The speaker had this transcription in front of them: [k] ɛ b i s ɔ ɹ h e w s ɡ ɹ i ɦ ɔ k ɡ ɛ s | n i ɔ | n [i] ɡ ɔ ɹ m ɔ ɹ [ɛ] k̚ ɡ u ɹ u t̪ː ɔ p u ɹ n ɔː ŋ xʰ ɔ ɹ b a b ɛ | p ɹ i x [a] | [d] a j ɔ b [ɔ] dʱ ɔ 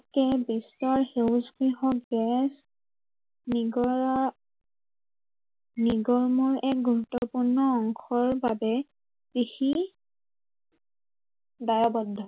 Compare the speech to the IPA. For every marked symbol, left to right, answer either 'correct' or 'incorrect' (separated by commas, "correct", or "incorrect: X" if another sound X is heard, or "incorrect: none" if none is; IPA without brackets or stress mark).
correct, correct, correct, incorrect: i, correct, correct